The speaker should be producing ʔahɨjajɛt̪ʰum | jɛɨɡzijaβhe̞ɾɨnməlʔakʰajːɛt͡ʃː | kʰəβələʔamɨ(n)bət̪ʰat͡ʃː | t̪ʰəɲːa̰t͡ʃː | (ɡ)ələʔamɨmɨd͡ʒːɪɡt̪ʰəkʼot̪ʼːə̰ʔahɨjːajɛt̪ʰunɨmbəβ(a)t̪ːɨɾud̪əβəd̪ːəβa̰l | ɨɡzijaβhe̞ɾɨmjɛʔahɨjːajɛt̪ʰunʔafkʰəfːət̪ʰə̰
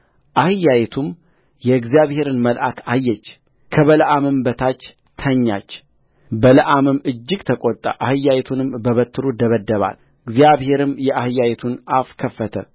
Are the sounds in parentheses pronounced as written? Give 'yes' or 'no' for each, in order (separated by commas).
no, no, no